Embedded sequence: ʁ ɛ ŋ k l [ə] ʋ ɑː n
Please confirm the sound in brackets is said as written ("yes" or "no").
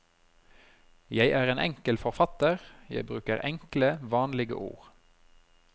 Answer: yes